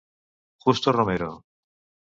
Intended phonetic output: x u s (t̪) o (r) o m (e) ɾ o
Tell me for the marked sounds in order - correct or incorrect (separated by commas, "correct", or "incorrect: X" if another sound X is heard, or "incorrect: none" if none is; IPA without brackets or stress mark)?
correct, correct, correct